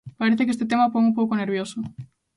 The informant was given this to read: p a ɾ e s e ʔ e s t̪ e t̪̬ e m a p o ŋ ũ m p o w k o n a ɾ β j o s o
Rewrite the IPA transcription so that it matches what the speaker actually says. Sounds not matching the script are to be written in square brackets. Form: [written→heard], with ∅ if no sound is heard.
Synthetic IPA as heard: p a ɾ e [s→θ] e [ʔ→k] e s t̪ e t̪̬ e m a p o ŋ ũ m p o w k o n [a→e] ɾ β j o s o